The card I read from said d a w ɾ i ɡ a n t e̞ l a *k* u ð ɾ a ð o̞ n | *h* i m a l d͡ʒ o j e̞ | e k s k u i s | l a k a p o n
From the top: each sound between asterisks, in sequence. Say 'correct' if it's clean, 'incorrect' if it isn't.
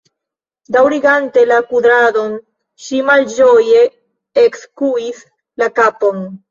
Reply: correct, incorrect: ʃ

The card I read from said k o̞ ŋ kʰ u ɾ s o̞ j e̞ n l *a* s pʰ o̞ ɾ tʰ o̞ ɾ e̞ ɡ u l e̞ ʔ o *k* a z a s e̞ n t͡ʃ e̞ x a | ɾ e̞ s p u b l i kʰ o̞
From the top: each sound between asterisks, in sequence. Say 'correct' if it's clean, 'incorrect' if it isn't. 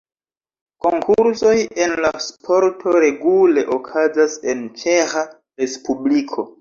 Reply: correct, incorrect: kʰ

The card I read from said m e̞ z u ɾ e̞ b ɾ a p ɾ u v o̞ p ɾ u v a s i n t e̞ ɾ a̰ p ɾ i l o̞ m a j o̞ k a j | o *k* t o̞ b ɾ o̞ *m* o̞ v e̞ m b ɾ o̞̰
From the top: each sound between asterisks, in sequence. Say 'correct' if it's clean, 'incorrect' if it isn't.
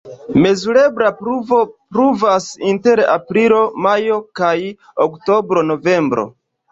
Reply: correct, incorrect: n

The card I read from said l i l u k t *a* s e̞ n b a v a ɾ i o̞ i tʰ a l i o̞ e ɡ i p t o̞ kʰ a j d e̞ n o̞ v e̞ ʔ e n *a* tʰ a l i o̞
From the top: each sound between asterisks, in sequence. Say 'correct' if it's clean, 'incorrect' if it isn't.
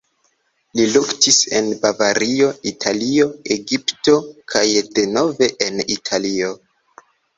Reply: incorrect: i, incorrect: i

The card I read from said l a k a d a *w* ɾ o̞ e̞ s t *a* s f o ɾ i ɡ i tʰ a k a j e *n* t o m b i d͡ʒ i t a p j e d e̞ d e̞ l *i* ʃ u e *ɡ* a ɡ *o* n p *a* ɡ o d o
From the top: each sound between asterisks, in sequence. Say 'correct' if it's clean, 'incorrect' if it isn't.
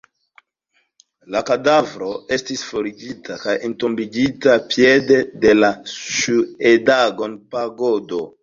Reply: incorrect: v, incorrect: i, correct, incorrect: a, incorrect: d, correct, correct

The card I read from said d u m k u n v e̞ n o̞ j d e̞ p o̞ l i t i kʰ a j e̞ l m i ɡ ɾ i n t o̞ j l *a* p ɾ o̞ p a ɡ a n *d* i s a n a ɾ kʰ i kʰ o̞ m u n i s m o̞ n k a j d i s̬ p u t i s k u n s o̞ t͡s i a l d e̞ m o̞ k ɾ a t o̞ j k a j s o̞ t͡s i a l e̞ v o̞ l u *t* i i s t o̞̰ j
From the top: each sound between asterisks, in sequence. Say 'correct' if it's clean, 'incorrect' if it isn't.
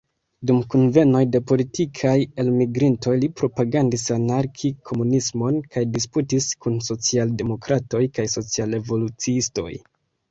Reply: incorrect: i, correct, incorrect: t͡s

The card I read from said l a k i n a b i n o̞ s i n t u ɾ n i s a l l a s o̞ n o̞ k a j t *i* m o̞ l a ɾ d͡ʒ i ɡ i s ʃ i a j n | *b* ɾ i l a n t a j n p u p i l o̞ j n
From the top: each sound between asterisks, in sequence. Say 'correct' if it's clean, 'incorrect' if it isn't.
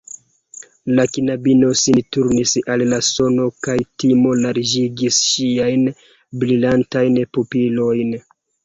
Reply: correct, correct

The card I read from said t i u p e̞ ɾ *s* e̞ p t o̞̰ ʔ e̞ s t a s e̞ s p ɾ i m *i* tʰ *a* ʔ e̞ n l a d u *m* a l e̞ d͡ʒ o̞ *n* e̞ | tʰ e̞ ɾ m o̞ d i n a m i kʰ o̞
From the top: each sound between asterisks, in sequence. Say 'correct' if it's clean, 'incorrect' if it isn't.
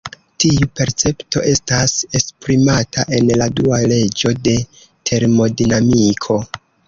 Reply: incorrect: t͡s, incorrect: a, correct, incorrect: none, incorrect: d

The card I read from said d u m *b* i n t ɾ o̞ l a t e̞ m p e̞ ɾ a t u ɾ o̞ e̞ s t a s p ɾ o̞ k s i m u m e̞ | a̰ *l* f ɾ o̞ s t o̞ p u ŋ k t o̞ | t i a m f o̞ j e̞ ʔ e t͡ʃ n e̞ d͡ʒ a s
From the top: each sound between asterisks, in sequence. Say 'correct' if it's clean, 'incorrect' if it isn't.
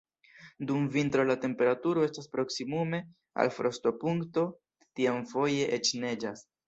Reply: incorrect: v, correct

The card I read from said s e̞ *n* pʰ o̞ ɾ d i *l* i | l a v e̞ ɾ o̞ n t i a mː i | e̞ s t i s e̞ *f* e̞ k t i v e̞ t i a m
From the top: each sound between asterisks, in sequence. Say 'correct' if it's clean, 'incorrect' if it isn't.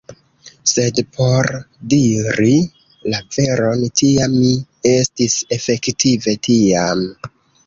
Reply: incorrect: d, incorrect: ɾ, correct

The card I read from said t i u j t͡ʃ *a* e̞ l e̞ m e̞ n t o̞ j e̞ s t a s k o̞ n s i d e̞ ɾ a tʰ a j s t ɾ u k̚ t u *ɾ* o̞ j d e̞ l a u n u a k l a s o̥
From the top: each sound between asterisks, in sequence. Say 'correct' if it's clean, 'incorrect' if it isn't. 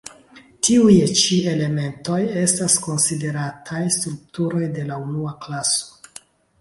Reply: incorrect: i, correct

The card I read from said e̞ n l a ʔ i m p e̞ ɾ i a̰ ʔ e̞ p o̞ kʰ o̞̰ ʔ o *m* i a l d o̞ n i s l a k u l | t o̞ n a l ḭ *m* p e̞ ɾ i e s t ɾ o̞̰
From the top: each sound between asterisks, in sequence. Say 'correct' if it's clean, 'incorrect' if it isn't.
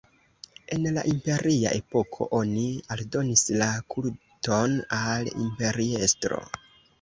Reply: incorrect: n, correct

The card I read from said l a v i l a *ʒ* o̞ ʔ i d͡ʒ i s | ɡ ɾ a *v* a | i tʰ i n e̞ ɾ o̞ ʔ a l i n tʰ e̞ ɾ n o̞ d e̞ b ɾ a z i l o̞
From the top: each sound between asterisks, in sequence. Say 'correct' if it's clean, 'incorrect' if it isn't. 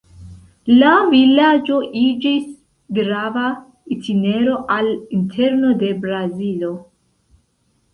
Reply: incorrect: d͡ʒ, correct

